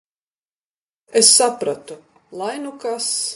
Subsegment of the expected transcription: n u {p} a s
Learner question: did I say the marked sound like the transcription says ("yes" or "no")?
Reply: no